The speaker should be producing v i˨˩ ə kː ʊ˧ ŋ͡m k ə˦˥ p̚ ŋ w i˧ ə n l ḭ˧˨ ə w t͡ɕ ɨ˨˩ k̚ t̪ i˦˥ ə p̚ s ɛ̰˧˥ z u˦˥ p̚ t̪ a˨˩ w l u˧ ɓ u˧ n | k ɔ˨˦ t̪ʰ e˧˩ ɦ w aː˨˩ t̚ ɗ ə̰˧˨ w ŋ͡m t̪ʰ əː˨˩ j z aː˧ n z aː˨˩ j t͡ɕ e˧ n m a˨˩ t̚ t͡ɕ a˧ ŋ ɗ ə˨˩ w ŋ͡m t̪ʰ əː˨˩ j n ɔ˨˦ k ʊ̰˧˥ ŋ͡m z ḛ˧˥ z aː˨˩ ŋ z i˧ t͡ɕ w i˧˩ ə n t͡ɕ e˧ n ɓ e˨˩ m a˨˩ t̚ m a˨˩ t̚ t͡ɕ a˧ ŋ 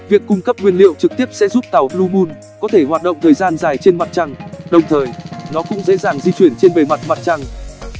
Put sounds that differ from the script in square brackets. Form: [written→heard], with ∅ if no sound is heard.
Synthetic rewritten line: v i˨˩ ə kː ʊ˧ ŋ͡m k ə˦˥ p̚ ŋ w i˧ ə n l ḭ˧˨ ə w t͡ɕ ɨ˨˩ k̚ t̪ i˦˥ ə p̚ s ɛ̰˧˥ z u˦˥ p̚ t̪ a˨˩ w l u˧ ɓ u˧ n | k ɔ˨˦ t̪ʰ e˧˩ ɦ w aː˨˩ t̚ ɗ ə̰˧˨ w ŋ͡m t̪ʰ əː˨˩ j z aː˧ n z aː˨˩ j t͡ɕ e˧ n m a˨˩ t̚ t͡ɕ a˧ ŋ ɗ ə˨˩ w ŋ͡m t̪ʰ əː˨˩ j n ɔ˨˦ k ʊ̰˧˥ ŋ͡m z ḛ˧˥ z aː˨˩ ŋ z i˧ t͡ɕ w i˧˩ ə n t͡ɕ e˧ n ɓ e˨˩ m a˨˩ t̚ m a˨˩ t̚ t͡ɕ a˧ ŋ